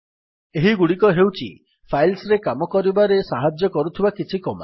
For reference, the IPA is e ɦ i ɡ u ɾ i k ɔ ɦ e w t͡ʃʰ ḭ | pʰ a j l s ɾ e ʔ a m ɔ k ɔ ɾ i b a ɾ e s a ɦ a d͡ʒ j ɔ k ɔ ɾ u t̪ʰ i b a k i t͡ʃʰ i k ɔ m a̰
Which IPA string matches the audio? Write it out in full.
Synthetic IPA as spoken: e ɦ i ɡ u ɽ i k ɔ ɦ e w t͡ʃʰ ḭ | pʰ a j l s ɾ e k a m ɔ k ɔ ɾ i b a ɾ e s a ɦ a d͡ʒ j ɔ k ɔ ɾ u t̪ʰ i b a k i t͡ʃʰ i k ɔ m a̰